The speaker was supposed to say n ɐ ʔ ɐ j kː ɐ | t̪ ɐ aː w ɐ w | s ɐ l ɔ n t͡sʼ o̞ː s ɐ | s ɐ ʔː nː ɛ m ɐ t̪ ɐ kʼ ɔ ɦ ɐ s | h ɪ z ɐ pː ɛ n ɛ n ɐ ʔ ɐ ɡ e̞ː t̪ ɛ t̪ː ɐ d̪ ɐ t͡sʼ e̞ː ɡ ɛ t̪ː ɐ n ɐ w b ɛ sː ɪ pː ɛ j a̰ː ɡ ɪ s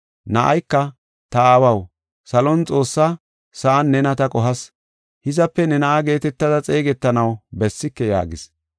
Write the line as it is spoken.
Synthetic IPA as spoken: n ɐ ʔ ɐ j kː ɐ | t̪ ɐ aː w ɐ w | s ɐ l ɔ n t͡sʼ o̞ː sː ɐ | s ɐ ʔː nː ɛ n ɐ t̪ ɐ kʼ ɔ ɦ ɐ s | h ɪ z ɐ pː ɛ n ɛ n ɐ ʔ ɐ ɡ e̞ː t̪ ɛ t̪ː ɐ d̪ ɐ t͡sʼ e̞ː ɡ ɛ t̪ː ɐ n ɐ w b ɛ sː ɪ kː ɛ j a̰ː ɡ ɪ s